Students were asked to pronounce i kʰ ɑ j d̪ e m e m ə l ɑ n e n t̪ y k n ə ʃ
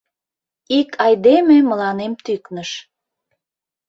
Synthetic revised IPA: i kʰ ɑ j d̪ e m e m ə l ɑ n e m t̪ y k n ə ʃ